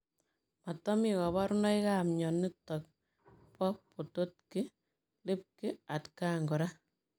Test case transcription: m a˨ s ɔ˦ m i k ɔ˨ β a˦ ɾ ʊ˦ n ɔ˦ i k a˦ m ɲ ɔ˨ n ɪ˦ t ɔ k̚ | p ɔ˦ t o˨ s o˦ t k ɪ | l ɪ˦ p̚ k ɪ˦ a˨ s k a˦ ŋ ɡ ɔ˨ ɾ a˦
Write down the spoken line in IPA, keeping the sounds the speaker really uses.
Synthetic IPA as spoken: m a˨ t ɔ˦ m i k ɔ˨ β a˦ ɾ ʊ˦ n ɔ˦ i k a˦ m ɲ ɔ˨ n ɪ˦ t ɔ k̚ | p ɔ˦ p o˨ t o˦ t k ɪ | l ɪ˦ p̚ k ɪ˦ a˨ t k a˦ ŋ ɡ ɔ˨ ɾ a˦